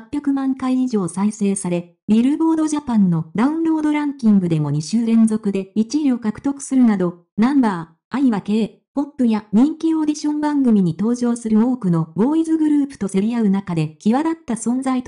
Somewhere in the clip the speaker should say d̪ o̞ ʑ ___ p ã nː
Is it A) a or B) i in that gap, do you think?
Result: A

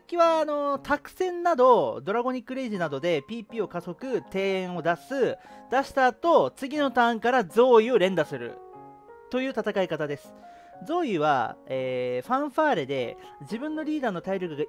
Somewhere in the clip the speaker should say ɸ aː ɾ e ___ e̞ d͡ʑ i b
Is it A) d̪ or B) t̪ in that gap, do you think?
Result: A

